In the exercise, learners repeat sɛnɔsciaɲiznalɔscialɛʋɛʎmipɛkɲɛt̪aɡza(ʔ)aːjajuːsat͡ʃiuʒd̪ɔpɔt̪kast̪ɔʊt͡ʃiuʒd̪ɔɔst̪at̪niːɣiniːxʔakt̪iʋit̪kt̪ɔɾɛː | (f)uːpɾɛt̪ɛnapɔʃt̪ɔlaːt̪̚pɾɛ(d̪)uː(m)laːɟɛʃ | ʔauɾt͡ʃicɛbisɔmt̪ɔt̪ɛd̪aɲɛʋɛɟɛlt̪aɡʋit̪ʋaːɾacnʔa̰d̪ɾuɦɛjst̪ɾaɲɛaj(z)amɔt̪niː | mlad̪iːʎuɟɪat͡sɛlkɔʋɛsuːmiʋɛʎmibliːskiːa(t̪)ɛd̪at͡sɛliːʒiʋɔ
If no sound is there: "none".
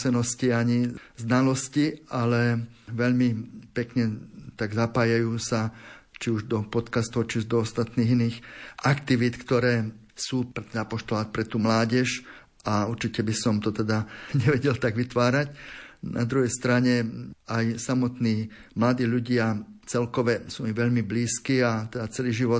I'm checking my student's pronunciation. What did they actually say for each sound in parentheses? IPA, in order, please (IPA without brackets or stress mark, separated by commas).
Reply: p, s, t̪, m, s, t̪